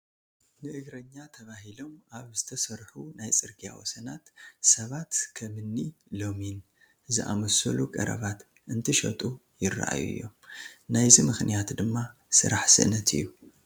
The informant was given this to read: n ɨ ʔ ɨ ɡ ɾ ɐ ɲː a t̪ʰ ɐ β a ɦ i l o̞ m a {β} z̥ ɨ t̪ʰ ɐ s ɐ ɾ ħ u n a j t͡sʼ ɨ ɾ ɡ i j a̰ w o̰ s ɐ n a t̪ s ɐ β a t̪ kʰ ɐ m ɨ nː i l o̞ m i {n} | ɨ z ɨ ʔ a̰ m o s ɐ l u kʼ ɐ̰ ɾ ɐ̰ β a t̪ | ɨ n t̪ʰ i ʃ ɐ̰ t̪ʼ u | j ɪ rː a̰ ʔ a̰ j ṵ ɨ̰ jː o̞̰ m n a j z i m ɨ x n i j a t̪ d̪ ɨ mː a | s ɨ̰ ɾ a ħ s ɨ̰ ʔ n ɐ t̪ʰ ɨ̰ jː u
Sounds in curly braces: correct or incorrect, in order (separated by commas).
correct, correct